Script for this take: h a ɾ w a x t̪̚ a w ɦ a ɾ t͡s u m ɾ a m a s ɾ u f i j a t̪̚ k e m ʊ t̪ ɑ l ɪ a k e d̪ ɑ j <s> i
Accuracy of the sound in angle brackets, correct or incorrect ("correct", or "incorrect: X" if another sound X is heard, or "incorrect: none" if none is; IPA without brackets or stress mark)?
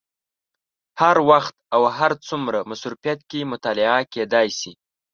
correct